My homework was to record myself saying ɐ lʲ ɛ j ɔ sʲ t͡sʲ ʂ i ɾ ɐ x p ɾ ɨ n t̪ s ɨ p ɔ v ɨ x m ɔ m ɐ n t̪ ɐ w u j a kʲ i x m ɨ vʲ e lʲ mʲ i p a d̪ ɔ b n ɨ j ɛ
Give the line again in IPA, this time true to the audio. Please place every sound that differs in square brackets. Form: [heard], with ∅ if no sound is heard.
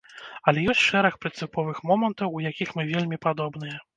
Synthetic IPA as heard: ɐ lʲ ɛ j ɔ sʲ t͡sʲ ʂ [ɛ] ɾ ɐ x p ɾ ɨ n t̪ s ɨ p ɔ v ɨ x m ɔ m ɐ n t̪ ɐ w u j a kʲ i x m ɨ vʲ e lʲ mʲ i p a d̪ ɔ b n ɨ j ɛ